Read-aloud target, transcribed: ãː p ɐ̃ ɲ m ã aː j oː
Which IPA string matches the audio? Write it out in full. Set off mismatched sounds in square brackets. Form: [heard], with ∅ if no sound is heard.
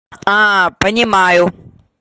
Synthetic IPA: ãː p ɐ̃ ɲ m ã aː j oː